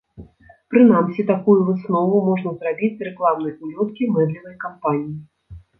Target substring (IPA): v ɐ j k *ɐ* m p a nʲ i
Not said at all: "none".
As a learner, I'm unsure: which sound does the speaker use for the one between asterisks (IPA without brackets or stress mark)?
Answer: a